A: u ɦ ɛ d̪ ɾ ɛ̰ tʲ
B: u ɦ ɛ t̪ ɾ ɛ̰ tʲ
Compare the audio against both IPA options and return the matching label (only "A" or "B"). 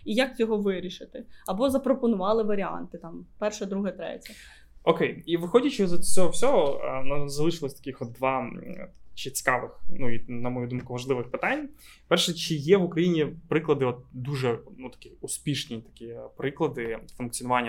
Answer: B